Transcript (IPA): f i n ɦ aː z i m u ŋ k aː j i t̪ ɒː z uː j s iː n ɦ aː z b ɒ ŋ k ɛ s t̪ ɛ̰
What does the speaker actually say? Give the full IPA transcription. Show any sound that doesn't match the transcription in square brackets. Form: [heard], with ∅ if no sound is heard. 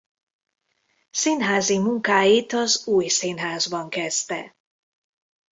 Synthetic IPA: [s] i n ɦ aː z i m u ŋ k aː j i t̪ [ɒ] z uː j s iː n ɦ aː z b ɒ ŋ k ɛ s t̪ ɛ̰